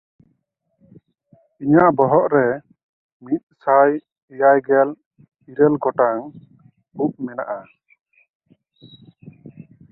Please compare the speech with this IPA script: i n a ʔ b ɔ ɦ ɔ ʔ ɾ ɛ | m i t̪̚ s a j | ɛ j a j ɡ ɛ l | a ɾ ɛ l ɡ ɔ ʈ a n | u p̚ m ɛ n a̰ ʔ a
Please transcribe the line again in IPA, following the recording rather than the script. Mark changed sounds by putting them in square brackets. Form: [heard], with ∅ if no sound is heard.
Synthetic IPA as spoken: i [ɲ] a ʔ b ɔ ɦ ɔ ʔ ɾ ɛ | m i t̪̚ s a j | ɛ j a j ɡ ɛ l | [i] ɾ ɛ l ɡ ɔ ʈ a [ŋ] | u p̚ m ɛ n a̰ ʔ a